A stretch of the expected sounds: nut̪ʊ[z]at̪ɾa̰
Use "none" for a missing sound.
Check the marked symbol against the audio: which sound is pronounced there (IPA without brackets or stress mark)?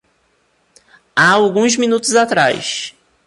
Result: z